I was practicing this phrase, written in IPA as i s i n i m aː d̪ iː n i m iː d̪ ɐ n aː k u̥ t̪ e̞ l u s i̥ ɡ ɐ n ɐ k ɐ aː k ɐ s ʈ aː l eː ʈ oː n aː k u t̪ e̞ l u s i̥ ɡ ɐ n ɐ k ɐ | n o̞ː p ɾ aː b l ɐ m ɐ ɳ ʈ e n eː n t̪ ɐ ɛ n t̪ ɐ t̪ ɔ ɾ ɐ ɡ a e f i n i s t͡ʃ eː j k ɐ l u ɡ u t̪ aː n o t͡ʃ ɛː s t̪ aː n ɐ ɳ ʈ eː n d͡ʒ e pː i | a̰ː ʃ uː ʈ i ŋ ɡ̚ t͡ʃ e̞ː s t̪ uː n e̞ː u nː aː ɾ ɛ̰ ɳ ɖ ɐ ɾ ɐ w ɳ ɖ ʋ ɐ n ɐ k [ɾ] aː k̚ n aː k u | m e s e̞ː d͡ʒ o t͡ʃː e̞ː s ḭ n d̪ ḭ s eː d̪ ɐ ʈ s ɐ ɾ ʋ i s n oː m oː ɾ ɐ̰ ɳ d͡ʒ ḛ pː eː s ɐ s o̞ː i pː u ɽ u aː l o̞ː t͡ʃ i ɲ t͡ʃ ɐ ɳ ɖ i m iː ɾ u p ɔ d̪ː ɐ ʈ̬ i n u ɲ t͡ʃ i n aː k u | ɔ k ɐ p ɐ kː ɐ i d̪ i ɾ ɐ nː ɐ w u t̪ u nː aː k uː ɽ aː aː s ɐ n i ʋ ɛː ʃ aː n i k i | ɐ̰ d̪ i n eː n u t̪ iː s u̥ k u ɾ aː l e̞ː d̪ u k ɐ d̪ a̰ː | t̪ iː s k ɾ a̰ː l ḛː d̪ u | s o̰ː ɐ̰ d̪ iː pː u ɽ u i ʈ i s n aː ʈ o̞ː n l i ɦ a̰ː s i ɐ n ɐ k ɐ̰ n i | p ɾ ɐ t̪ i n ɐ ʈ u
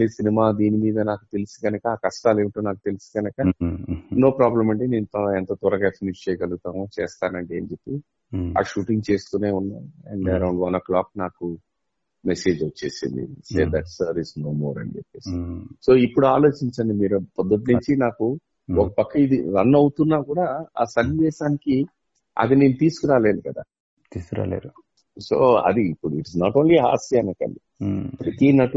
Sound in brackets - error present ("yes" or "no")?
yes